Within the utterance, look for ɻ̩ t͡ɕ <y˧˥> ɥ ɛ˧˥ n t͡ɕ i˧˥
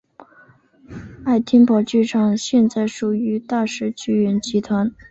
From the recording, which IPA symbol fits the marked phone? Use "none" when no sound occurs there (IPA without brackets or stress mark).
y˥˩